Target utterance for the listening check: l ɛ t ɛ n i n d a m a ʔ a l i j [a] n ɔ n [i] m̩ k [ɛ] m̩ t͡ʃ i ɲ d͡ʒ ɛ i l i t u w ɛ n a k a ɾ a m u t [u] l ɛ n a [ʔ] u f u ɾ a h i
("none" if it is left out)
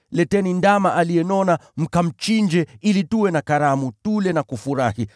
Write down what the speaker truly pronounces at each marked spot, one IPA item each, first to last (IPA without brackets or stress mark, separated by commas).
ɛ, a, a, u, k